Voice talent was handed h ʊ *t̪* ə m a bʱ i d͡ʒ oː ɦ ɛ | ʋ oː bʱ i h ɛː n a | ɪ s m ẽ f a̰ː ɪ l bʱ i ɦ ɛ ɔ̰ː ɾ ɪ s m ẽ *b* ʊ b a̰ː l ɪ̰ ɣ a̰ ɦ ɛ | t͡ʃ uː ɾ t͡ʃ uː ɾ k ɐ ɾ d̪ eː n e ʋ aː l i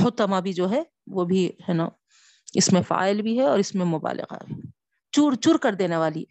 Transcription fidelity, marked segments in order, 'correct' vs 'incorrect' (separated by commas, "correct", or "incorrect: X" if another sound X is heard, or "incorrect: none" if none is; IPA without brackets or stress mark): correct, incorrect: m